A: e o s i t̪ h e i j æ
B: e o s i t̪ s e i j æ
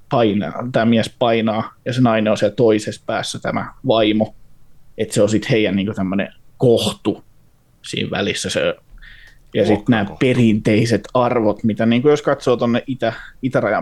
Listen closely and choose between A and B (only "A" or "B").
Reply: A